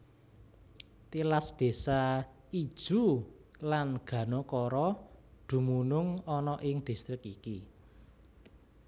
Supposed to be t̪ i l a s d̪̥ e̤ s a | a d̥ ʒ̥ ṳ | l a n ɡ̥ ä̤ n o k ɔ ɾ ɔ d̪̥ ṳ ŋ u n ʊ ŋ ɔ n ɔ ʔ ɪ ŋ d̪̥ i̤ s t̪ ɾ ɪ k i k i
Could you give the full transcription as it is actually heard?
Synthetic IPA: t̪ i l a s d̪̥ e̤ s a | i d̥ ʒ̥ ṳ | l a n ɡ̥ ä̤ n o k ɔ ɾ ɔ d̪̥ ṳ m u n ʊ ŋ ɔ n ɔ ʔ ɪ ŋ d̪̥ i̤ s t̪ ɾ ɪ k i k i

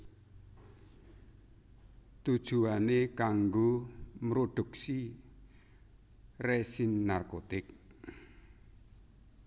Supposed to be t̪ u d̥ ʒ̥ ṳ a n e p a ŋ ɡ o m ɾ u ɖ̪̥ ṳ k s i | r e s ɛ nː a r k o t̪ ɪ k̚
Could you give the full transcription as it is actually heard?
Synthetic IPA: t̪ u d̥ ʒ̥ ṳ a n e k a ŋ ɡ o m ɾ o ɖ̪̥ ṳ k s i | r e s i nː a r k o t̪ ɪ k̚

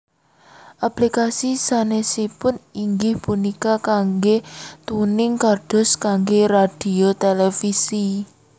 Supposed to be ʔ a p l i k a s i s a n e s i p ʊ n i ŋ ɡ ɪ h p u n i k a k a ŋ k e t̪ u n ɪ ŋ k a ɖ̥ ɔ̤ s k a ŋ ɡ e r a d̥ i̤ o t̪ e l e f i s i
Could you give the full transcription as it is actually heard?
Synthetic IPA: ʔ a p l i k a s i s a n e s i p ʊ n i ŋ ɡ ɪ h p u n i k a k a ŋ ɡ e t̪ u n ɪ ŋ k a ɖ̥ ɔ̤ s k a ŋ ɡ e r a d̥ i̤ o t̪ e l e f i s i

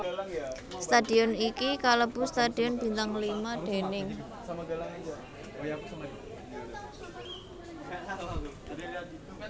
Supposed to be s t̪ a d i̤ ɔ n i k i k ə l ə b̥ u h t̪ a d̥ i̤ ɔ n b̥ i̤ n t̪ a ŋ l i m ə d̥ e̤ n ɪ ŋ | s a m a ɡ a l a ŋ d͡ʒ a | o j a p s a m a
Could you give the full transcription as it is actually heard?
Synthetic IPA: s t̪ a d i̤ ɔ n i k i k a l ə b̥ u s t̪ a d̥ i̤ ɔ n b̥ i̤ n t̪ a ŋ l i m a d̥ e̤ n ɪ ŋ | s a m a ɡ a l a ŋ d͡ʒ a | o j a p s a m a

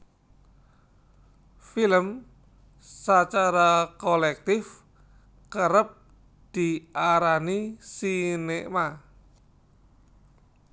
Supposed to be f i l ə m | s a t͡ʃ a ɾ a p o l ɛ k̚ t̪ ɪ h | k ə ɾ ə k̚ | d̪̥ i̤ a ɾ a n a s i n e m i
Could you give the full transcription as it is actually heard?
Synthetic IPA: f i l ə m | s a t͡ʃ a ɾ a k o l ɛ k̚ t̪ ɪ f | k ə ɾ ə p̚ | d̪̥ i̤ a ɾ a n i s i n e m a

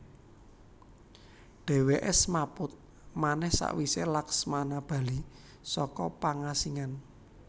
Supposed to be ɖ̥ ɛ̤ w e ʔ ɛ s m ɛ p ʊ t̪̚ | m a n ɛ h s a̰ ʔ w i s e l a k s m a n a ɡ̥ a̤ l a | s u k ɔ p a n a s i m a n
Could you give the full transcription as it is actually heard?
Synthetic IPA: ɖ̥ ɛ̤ w e ʔ ɛ s m a p ʊ t̪̚ | m a n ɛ h s a̰ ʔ w i s e l a k s m a n a b̥ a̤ l i | s ɔ k ɔ p a ŋ a s i ŋ a n

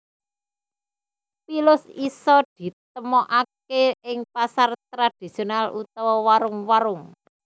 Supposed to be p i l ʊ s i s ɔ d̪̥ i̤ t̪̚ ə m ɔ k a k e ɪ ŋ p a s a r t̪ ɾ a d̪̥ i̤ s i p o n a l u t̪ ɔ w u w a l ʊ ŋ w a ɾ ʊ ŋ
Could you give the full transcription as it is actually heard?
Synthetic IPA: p i l ʊ s i s ɔ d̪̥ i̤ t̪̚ ə m ɔ ʔ a k e ɪ ŋ p a s a r t̪ ɾ a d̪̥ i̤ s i o n a l u t̪ ɔ w ɔ w a ɾ ʊ ŋ w a ɾ ʊ ŋ

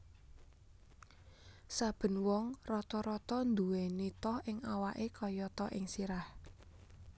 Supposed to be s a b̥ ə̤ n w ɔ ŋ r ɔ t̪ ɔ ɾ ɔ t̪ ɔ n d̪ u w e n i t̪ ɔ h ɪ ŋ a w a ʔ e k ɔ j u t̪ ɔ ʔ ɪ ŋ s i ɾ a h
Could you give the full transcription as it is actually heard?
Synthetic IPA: s a b̥ ə̤ n w ɔ ŋ r ɔ t̪ ɔ ɾ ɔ t̪ ɔ n d̪ u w e n i t̪ ɔ h ɪ ŋ a w a ʔ e k ɔ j ɔ t̪ ɔ ʔ ɪ ŋ s i ɾ a h

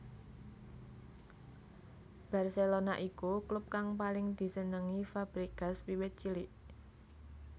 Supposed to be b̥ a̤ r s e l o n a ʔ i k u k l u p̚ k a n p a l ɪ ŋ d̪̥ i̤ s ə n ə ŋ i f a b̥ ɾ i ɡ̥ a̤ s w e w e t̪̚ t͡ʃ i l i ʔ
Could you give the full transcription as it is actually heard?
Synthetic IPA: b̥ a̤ r s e l o n a ʔ i k u k l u p̚ k a ŋ p a l ɪ ŋ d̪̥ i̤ s ə n ə ŋ i f a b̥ ɾ i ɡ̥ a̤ s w i w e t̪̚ t͡ʃ i l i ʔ

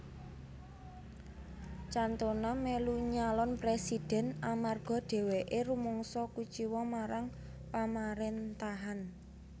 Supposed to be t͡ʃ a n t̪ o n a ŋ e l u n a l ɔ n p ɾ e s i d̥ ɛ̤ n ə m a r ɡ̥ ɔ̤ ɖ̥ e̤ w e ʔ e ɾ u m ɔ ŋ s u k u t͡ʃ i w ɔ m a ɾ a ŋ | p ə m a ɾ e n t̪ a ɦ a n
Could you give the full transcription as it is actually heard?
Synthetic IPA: t͡ʃ a n t̪ o n a m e l u ɲ a l ɔ n p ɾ e s i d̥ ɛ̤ n a m a r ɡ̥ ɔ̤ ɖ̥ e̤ w e ʔ e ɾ u m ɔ ŋ s ɔ k u t͡ʃ i w ɔ m a ɾ a ŋ | p a m a ɾ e n t̪ a ɦ a n

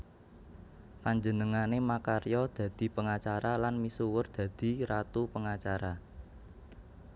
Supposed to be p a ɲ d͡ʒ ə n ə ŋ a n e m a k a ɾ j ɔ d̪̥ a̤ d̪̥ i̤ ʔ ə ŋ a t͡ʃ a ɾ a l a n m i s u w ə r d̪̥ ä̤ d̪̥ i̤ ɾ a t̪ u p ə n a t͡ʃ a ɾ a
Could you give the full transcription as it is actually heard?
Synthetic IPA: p a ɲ d͡ʒ ə n ə ŋ a n e m a k a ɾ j ɔ d̪̥ a̤ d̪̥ i̤ p ə ŋ a t͡ʃ a ɾ a l a n m i s u w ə r d̪̥ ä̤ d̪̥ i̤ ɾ a t̪ u p ə ŋ a t͡ʃ a ɾ a

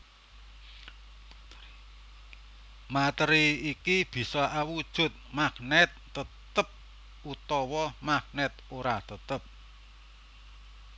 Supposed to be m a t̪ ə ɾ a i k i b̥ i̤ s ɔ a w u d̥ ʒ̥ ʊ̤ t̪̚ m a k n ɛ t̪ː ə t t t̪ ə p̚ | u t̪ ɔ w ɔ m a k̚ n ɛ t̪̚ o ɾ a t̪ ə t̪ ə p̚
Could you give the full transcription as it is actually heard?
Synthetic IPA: m a t̪ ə ɾ i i k i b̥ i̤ s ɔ a w u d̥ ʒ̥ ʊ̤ t̪̚ m a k n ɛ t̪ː ə t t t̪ ə p̚ | u t̪ ɔ w ɔ m a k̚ n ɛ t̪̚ o ɾ a t̪ ə t̪ ə p̚

